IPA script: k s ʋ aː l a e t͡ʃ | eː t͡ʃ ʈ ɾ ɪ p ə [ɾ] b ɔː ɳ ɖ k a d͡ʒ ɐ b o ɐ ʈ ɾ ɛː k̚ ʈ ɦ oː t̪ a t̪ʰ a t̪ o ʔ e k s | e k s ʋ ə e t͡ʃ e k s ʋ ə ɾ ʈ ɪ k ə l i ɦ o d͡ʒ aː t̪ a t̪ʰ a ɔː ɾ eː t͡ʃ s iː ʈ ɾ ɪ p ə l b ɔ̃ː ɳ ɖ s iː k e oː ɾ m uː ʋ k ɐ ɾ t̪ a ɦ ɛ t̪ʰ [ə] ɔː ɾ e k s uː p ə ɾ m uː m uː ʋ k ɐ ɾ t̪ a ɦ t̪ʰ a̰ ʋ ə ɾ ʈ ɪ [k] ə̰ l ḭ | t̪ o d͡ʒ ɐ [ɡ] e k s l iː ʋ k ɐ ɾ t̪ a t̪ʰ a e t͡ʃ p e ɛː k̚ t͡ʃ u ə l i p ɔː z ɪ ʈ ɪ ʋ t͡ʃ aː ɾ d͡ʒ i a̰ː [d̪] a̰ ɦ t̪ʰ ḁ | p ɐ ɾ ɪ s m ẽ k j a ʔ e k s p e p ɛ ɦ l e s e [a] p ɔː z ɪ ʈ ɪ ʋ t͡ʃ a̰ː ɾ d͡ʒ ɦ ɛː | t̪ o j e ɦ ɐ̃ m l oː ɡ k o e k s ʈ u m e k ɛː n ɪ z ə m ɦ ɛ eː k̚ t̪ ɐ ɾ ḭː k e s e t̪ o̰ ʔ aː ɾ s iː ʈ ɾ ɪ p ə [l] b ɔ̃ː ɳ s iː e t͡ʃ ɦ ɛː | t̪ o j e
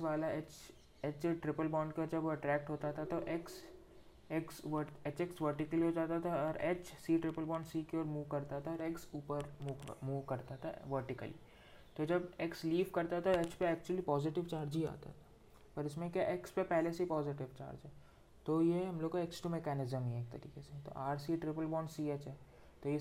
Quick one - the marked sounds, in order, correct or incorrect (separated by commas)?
incorrect, incorrect, correct, incorrect, incorrect, incorrect, correct